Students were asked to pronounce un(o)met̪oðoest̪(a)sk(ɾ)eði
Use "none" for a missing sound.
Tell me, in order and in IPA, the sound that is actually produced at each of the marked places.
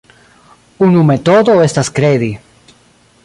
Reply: u, a, ɾ

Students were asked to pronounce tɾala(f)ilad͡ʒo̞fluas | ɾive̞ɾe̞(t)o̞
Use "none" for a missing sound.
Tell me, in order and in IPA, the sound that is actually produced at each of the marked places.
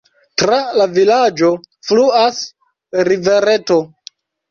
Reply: v, t

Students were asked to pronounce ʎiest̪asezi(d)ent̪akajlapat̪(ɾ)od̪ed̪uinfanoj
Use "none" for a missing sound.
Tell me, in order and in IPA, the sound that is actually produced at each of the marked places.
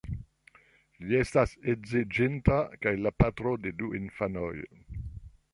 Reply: d͡ʒ, ɾ

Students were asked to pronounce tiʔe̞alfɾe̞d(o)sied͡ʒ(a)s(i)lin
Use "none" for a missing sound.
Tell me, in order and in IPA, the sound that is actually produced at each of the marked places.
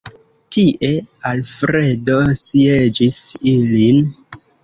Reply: o, i, i

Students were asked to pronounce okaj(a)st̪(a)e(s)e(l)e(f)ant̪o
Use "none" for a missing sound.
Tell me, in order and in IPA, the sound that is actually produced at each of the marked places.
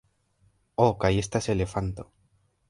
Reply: e, a, s, l, f

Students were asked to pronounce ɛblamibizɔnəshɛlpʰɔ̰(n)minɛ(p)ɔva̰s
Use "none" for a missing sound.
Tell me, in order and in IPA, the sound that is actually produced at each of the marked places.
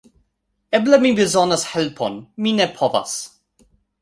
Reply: n, pʰ

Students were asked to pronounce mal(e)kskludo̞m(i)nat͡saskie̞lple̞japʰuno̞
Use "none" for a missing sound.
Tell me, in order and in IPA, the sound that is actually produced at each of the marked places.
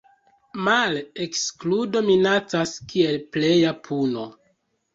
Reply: e, i

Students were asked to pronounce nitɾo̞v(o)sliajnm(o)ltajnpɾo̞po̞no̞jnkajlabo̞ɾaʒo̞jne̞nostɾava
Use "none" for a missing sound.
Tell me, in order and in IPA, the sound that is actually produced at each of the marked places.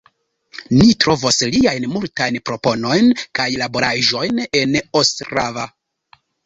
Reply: o, u

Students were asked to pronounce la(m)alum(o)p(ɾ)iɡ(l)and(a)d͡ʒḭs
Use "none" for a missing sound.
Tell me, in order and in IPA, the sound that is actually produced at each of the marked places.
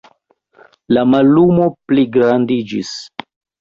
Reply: m, o, l, ɾ, i

